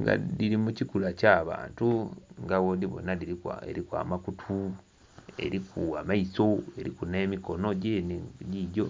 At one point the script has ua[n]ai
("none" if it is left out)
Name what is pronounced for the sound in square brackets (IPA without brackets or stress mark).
m